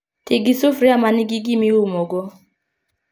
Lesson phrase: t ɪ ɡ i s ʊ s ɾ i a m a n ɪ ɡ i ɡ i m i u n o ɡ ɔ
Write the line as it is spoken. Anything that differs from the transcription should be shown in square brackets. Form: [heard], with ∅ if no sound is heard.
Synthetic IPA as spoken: t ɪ ɡ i s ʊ [f] ɾ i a m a n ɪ ɡ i ɡ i m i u [m] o ɡ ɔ

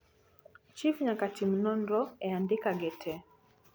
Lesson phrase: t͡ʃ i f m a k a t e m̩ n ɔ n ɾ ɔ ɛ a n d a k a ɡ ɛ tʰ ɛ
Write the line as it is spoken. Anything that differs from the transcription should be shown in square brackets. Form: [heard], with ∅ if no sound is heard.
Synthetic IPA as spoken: t͡ʃ i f [ɲ] a k a t [i] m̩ n ɔ n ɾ ɔ ɛ a n d [i] k a ɡ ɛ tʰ ɛ

